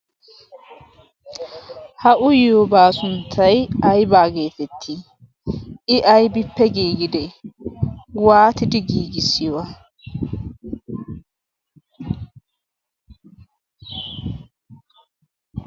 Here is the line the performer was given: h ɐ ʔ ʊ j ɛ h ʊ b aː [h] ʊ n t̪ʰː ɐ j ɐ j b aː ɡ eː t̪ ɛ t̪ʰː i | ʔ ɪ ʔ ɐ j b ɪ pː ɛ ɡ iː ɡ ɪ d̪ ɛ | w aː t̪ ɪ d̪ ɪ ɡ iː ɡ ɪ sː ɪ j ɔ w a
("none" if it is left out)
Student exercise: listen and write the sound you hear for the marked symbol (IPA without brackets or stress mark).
s